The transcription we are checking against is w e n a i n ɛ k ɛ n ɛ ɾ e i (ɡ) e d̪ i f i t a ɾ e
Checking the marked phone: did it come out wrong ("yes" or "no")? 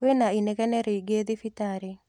no